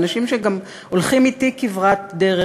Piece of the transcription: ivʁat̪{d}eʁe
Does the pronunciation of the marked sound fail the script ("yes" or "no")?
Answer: no